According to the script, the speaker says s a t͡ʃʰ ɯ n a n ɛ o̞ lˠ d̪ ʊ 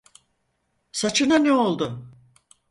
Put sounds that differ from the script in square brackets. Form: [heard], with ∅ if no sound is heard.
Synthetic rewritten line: s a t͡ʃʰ ɯ n a n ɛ o̞ lˠ d̪ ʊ

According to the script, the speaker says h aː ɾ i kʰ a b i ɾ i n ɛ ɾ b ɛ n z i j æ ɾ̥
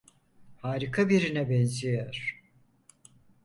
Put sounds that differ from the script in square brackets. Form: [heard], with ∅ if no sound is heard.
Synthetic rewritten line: h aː ɾ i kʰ a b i ɾ i n ɛ [∅] b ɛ n z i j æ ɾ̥

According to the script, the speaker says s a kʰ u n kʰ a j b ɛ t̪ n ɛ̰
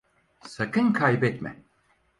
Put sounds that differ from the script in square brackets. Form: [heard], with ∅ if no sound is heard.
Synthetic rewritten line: s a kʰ [ɯ] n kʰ a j b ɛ t̪ [m] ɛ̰

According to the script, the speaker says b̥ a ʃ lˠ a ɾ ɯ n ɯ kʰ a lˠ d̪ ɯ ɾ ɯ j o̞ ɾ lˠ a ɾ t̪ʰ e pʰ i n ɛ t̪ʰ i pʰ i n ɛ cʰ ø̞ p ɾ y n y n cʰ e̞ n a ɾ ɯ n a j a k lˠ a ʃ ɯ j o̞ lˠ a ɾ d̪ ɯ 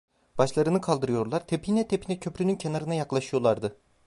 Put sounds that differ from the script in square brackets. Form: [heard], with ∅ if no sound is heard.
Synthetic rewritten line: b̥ a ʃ lˠ a ɾ ɯ n ɯ kʰ a lˠ d̪ ɯ ɾ ɯ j o̞ ɾ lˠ a ɾ t̪ʰ e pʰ i n ɛ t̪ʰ [e] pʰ i n ɛ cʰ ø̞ p ɾ y n y n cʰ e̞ n a ɾ ɯ n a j a k lˠ a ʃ ɯ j o̞ lˠ a ɾ d̪ ɯ

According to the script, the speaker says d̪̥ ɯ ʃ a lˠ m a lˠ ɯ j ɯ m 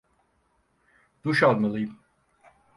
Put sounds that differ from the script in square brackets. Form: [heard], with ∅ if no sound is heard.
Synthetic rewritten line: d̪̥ [u] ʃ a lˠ m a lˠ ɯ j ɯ m

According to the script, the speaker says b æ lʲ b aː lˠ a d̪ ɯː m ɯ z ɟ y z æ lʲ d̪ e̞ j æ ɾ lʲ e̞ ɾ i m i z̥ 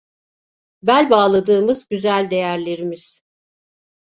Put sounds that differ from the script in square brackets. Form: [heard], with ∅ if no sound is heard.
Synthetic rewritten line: b æ lʲ b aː lˠ a d̪ ɯː m ɯ z ɟ y z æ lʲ d̪ e̞ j æ ɾ lʲ e̞ ɾ i m i z̥

